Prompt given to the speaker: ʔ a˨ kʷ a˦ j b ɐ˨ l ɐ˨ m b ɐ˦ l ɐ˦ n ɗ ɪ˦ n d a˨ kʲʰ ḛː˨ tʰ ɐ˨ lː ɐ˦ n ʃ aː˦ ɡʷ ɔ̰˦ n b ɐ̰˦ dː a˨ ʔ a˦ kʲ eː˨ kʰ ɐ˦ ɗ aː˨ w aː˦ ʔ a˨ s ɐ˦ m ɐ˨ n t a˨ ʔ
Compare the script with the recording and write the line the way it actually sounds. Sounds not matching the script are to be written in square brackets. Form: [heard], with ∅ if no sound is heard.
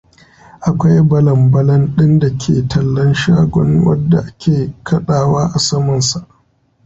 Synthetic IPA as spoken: ʔ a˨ kʷ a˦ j b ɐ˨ l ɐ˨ m b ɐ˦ l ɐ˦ n ɗ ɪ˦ n d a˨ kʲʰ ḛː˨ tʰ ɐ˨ lː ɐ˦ n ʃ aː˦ ɡʷ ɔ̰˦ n [w] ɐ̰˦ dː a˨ ʔ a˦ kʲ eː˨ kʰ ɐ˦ ɗ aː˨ w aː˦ ʔ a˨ s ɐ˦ m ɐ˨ n [s] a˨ ʔ